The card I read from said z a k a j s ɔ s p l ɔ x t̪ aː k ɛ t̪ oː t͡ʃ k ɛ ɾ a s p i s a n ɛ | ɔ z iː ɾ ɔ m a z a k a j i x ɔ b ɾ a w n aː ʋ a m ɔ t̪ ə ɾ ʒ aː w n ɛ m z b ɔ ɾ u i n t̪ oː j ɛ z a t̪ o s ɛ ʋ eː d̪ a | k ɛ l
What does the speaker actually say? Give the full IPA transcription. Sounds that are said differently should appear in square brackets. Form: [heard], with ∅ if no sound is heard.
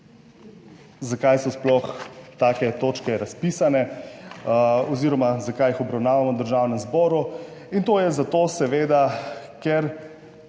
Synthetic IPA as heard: z a k a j s ɔ s p l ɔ x t̪ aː k ɛ t̪ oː t͡ʃ k ɛ ɾ a s p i s a n ɛ | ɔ z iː ɾ ɔ m a z a k a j i x ɔ b ɾ a w n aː ʋ a m ɔ [d̪] ə ɾ ʒ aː w n ɛ m z b ɔ ɾ u i n t̪ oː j ɛ z a t̪ o s ɛ ʋ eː d̪ a | k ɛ [ɾ]

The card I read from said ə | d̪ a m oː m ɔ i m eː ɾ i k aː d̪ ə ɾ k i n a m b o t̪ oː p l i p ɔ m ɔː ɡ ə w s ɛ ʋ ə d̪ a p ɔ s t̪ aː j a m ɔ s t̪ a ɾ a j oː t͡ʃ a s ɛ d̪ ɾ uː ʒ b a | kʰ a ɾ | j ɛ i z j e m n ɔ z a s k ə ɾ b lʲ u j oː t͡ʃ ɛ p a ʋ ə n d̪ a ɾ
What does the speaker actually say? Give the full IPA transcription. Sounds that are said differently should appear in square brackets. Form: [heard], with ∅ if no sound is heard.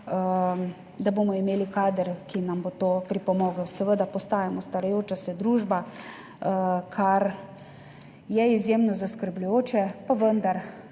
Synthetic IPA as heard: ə | d̪ a [b] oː m ɔ i m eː [l] i k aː d̪ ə ɾ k i n a m b o t̪ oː p [ɾ] i p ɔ m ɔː ɡ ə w s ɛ ʋ ə d̪ a p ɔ s t̪ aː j a m ɔ s t̪ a ɾ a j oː t͡ʃ a s ɛ d̪ ɾ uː ʒ b a | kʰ a ɾ | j ɛ i z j e m n ɔ z a s k ə ɾ b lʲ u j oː t͡ʃ ɛ p a ʋ ə n d̪ a ɾ

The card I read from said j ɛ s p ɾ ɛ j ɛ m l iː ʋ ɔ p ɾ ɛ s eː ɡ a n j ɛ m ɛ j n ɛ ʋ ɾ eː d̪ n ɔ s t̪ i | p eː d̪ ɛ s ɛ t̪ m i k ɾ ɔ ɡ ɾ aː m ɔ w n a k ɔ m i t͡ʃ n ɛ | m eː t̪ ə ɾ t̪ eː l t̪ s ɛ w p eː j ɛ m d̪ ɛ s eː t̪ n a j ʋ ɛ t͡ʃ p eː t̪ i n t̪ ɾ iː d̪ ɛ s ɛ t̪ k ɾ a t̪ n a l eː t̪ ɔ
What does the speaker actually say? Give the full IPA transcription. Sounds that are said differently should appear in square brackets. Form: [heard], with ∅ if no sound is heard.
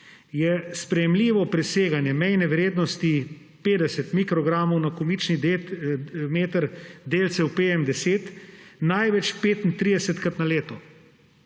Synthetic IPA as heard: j ɛ s p ɾ ɛ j ɛ m l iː ʋ ɔ p ɾ ɛ s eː ɡ a n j ɛ m ɛ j n ɛ ʋ ɾ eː d̪ n ɔ s t̪ i | p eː d̪ ɛ s ɛ t̪ m i k ɾ ɔ ɡ ɾ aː m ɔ w n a k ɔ m i t͡ʃ n [i] | m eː t̪ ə ɾ [d̪] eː l t̪ s ɛ w p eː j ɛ m d̪ ɛ s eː t̪ n a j ʋ ɛ t͡ʃ p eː t̪ i n t̪ ɾ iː d̪ ɛ s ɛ t̪ k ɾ a t̪ n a l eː t̪ ɔ

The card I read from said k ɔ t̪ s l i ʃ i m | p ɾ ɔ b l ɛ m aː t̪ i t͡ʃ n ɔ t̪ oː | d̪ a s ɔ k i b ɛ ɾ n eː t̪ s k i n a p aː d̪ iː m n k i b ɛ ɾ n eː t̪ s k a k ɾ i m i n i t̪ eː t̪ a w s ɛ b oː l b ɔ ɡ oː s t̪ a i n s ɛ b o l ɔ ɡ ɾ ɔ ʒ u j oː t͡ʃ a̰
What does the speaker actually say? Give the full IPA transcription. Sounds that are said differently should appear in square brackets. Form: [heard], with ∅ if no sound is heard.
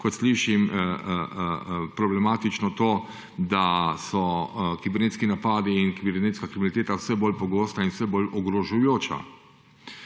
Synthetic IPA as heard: k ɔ t̪ s l i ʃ i m | p ɾ ɔ b l ɛ m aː t̪ i t͡ʃ n ɔ t̪ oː | d̪ a s ɔ k i b ɛ ɾ n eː t̪ s k i n a p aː d̪ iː [∅] n k i b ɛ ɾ n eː t̪ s k a k ɾ i m i n i t̪ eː t̪ a w s ɛ b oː l [p] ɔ ɡ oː s t̪ a i n s ɛ b o l ɔ ɡ ɾ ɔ ʒ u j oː t͡ʃ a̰

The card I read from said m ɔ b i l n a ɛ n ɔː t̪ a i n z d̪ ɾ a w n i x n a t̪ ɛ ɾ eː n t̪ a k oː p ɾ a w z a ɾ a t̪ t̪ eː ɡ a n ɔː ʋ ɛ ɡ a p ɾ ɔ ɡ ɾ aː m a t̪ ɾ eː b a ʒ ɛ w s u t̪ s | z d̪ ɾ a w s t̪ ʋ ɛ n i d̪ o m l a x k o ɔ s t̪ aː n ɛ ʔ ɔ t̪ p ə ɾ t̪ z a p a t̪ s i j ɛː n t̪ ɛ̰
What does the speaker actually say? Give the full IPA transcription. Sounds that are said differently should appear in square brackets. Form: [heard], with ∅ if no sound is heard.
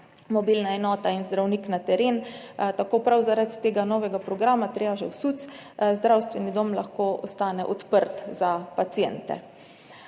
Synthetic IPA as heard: m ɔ b i l n a ɛ n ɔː t̪ a i n z d̪ ɾ a w n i [k] n a t̪ ɛ ɾ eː n t̪ a k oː p ɾ a w z a ɾ a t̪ t̪ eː ɡ a n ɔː ʋ ɛ ɡ a p ɾ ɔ ɡ ɾ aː m a t̪ ɾ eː b a ʒ ɛ w s u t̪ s | z d̪ ɾ a w s t̪ ʋ ɛ n i d̪ o m l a x k o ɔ s t̪ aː n ɛ ʔ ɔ t̪ p ə ɾ t̪ z a p a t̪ s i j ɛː n t̪ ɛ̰

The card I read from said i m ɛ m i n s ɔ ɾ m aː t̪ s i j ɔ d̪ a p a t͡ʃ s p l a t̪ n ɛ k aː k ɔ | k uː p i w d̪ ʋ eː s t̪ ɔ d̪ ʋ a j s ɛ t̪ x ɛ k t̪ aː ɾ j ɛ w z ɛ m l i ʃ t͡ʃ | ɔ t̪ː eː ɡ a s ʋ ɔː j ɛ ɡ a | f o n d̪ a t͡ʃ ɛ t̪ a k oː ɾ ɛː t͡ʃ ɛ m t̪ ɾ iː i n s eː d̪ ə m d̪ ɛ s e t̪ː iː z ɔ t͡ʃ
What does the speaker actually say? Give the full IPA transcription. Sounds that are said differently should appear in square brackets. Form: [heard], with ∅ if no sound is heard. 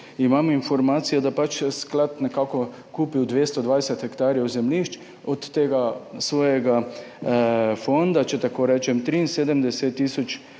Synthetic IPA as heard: i m [a] m i n [f] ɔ ɾ m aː t̪ s i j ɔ d̪ a p a t͡ʃ s [k] l a t̪ n ɛ k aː k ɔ | k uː p i w d̪ ʋ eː s t̪ ɔ d̪ ʋ a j s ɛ t̪ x ɛ k t̪ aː ɾ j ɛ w z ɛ m l i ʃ t͡ʃ | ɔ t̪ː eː ɡ a s ʋ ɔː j ɛ ɡ a | f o n d̪ a t͡ʃ ɛ t̪ a k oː ɾ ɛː t͡ʃ ɛ m t̪ ɾ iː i n s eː d̪ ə m d̪ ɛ s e t̪ː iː [s] ɔ t͡ʃ

